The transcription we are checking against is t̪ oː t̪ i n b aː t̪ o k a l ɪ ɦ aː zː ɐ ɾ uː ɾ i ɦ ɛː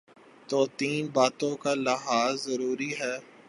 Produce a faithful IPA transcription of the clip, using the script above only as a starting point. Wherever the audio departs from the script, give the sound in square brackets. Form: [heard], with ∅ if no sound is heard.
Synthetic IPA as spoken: t̪ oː t̪ [iː] n b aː t̪ [õ] k a l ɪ ɦ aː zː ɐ ɾ uː ɾ i ɦ ɛː

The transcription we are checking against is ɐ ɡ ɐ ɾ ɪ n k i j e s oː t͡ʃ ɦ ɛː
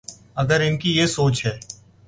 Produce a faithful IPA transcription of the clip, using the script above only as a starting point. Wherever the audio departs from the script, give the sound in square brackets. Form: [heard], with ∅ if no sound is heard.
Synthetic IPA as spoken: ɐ ɡ [ə] ɾ ɪ n k i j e s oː t͡ʃ ɦ ɛː

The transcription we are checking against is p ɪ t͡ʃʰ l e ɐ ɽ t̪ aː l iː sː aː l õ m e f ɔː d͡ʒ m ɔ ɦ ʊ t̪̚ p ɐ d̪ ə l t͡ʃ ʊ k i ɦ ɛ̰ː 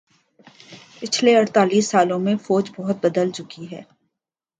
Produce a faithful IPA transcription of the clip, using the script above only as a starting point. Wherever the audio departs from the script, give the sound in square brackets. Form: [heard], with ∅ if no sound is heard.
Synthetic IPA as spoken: p ɪ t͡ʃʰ l e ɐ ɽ t̪ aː l iː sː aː l õ m [ẽ] f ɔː d͡ʒ [b] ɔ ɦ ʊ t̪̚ [b] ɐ d̪ ə l t͡ʃ ʊ k i ɦ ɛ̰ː

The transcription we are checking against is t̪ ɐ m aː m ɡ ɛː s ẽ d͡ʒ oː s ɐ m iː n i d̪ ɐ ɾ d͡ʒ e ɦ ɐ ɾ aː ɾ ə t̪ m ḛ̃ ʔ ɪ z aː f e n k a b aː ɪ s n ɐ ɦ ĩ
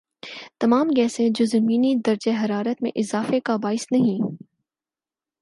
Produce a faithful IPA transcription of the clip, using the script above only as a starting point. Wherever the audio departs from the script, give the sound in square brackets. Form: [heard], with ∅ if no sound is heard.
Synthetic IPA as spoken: t̪ ɐ m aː m ɡ ɛː s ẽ d͡ʒ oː [z] ɐ m iː n i d̪ ɐ ɾ d͡ʒ e ɦ ɐ ɾ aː ɾ ə t̪ m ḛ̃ ʔ ɪ z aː f e [∅] k a b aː ɪ s n ɐ ɦ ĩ

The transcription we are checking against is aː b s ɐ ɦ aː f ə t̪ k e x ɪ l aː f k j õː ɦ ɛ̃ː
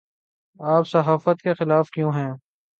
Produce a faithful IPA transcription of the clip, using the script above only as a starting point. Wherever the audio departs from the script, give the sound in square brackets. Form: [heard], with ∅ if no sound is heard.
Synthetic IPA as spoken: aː [p] s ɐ ɦ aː f ə t̪ k e x ɪ l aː f k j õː ɦ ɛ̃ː

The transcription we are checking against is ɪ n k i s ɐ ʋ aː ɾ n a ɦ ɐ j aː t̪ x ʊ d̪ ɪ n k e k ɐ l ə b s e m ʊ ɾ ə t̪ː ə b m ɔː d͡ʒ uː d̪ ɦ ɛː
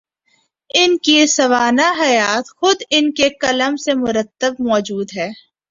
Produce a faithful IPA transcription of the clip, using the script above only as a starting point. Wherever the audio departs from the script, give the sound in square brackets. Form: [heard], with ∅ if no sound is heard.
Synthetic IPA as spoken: ɪ n k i s ɐ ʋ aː [∅] n a ɦ ɐ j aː t̪ x ʊ d̪ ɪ n k e k ɐ l ə [m] s e m ʊ ɾ ə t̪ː ə b m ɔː d͡ʒ uː d̪ ɦ ɛː

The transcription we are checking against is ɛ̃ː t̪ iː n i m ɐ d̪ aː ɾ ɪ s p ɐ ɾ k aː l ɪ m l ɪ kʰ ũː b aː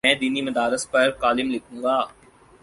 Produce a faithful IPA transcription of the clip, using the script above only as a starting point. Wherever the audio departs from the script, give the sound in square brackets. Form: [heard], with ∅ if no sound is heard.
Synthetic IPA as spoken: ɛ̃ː [d̪] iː n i m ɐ d̪ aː ɾ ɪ s p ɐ ɾ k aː l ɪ m l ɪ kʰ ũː [ɡ] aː

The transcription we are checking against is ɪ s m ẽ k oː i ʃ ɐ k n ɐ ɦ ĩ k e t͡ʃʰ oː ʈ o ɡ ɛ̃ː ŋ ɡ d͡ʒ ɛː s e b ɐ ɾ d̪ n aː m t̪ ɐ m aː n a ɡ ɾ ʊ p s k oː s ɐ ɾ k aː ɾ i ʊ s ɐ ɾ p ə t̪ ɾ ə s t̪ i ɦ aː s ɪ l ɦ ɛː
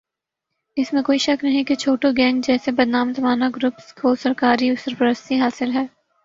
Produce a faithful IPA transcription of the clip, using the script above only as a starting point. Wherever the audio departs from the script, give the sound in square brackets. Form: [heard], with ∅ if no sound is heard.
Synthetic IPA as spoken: ɪ s m ẽ k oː i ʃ ɐ k n ɐ ɦ ĩ k e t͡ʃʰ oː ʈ o ɡ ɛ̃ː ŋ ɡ d͡ʒ ɛː s e b ɐ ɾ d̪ n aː m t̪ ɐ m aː n a ɡ ɾ ʊ p s k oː s ɐ ɾ k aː ɾ i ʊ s ɐ ɾ p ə [∅] ɾ ə s t̪ i ɦ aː s ɪ l ɦ ɛː

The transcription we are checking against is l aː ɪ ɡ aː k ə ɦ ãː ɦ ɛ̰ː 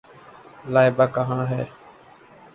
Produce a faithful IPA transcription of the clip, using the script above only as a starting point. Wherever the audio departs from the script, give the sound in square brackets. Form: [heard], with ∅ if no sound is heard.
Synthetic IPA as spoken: l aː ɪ [b] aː k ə ɦ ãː ɦ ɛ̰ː

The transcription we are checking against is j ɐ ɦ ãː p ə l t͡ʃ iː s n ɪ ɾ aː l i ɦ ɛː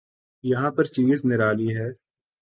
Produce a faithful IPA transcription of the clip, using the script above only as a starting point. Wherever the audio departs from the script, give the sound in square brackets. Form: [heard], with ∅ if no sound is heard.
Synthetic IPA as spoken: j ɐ ɦ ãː p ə [ɾ] t͡ʃ iː [z] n ɪ ɾ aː l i ɦ ɛː

